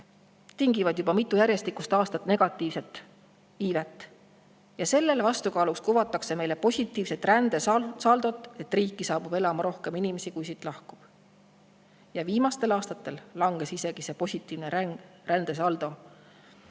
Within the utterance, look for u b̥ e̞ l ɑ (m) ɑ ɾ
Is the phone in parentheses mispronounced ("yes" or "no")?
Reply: no